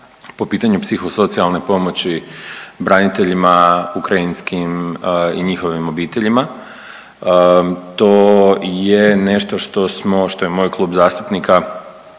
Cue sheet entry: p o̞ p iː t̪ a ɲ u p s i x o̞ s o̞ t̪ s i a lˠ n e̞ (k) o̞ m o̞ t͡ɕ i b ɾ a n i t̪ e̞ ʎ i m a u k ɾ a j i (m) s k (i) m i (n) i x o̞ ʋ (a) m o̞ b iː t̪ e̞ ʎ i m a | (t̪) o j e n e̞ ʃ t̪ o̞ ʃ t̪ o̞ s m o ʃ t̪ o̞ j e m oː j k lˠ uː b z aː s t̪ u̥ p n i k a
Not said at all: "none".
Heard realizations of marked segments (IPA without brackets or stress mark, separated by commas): p, n, i, ɲ, i, t̪